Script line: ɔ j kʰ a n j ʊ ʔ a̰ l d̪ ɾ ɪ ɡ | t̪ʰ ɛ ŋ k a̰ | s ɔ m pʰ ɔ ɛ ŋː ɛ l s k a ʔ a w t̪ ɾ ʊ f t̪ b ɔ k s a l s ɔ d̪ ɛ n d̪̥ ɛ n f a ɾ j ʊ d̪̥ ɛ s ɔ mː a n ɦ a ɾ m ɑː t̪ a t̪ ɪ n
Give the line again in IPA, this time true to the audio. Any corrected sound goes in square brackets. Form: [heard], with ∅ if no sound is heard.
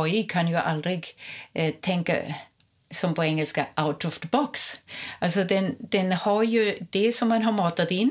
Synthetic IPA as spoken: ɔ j kʰ a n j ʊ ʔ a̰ l d̪ ɾ ɪ ɡ | t̪ʰ ɛ ŋ k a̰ | s ɔ m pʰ ɔ ɛ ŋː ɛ l s k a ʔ a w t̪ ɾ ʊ f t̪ b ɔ k s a l s ɔ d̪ ɛ n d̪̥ ɛ n [h] a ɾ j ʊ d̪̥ ɛ s ɔ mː a n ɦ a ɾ m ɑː t̪ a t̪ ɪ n